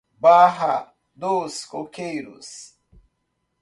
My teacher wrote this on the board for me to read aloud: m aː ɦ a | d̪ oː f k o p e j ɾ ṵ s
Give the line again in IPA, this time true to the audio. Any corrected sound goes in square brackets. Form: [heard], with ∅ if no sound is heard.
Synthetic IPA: [b] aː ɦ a | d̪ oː [s] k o [k] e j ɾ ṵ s